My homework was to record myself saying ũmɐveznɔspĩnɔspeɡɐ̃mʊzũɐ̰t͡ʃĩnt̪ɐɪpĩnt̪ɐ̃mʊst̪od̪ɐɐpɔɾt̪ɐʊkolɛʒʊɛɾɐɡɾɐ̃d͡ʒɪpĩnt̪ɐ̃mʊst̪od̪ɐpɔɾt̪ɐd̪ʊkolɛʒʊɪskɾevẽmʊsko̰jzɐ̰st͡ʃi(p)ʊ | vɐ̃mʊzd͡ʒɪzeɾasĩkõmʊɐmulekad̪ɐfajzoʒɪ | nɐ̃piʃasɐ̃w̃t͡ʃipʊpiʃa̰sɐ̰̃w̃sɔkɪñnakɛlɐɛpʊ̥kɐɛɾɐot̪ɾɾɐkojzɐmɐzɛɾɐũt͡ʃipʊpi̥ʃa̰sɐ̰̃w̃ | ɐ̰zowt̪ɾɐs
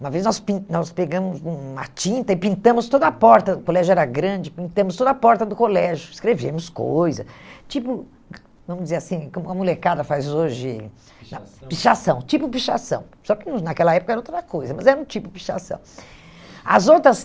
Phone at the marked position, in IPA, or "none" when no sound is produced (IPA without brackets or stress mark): p